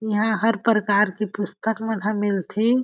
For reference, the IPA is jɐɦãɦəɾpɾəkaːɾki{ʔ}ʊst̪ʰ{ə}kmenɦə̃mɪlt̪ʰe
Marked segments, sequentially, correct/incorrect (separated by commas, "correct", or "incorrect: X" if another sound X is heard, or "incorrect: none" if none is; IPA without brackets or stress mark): incorrect: p, correct